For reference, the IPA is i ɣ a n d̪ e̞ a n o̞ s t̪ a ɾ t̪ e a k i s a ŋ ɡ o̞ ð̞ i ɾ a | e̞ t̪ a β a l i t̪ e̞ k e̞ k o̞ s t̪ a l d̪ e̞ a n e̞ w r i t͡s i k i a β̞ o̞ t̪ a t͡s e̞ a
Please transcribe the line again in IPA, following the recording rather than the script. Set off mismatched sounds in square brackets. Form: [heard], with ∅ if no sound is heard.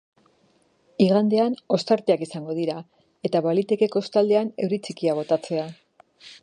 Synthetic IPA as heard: i ɣ a n d̪ e̞ a n o̞ s t̪ a ɾ t̪ e a k i s a ŋ ɡ o̞ ð̞ i ɾ a | e̞ t̪ a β a l i t̪ e̞ k e̞ k o̞ s t̪ a l d̪ e̞ a n e̞ w [ɾ] i t͡s i k i a β̞ o̞ t̪ a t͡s e̞ a